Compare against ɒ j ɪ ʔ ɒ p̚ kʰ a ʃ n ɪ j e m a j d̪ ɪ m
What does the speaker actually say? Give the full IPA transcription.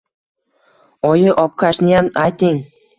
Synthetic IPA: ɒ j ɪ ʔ ɒ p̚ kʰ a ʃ n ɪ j a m a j t̪ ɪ ŋ